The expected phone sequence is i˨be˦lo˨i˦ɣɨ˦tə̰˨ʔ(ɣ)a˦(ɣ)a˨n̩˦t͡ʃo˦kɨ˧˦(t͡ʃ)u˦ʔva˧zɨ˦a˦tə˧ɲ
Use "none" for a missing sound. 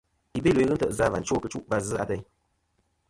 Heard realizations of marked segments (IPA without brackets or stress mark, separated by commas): z, v, t͡ʃ